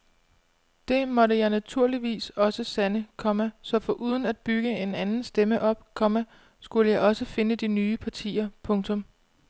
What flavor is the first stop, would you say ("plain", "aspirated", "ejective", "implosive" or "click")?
plain